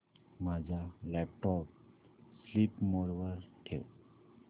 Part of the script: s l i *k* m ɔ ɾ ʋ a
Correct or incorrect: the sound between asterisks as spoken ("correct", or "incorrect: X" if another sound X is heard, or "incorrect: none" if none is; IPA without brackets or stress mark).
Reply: incorrect: p